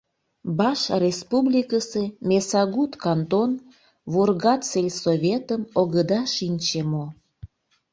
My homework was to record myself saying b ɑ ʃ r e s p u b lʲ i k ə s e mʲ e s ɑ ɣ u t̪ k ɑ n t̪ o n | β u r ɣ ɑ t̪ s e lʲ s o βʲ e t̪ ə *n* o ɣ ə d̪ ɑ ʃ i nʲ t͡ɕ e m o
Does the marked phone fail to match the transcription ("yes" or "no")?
yes